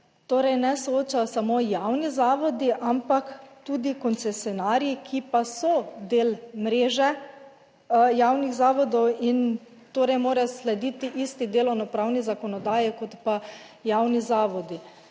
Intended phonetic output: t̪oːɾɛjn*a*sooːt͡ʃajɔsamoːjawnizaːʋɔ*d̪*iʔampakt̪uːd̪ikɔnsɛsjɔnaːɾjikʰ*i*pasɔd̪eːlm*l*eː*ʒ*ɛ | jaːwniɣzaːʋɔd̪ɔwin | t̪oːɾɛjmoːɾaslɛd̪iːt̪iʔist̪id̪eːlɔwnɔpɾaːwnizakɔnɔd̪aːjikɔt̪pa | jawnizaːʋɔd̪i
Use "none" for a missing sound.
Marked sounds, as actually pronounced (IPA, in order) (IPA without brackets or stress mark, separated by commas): ɛ, d̪, i, ɾ, ʒ